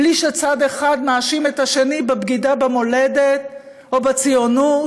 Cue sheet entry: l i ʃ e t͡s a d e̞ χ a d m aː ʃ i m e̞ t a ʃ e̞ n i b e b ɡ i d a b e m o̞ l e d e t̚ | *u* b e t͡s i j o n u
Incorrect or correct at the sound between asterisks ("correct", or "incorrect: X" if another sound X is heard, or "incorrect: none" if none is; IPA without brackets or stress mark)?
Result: incorrect: o